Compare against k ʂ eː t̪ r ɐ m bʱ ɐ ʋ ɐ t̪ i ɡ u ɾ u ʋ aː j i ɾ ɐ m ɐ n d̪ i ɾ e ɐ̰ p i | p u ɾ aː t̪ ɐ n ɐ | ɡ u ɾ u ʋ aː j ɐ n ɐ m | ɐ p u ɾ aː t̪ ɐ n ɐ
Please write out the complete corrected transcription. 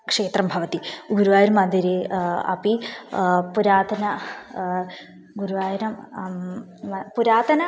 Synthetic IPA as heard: k ʂ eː t̪ r ɐ m bʱ ɐ ʋ ɐ t̪ i ɡ u ɾ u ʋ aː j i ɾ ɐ m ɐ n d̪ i ɾ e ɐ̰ p i | p u ɾ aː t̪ ɐ n ɐ | ɡ u ɾ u ʋ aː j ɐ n ɐ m | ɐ p u ɾ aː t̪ ɐ n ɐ